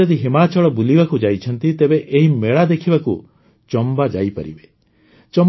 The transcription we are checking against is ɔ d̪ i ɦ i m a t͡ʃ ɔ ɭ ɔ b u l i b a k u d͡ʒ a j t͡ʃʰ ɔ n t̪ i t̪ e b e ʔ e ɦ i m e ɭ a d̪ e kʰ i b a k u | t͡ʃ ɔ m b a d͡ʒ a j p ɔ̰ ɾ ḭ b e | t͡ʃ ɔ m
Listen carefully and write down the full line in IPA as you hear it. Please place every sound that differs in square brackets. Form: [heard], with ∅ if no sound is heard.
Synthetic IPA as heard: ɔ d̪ i ɦ i m a t͡ʃ ɔ ɭ ɔ b u l i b a k u d͡ʒ a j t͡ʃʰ ɔ n t̪ i t̪ e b e ʔ e ɦ i m e ɭ a d̪ e kʰ i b a k u | t͡ʃ ɔ m b a d͡ʒ a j p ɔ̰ ɾ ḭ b e | t͡ʃ ɔ m